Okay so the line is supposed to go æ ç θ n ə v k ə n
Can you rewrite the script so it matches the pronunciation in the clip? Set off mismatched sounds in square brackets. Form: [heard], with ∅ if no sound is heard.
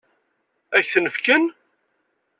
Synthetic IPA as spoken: æ ç θ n ə [f] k ə n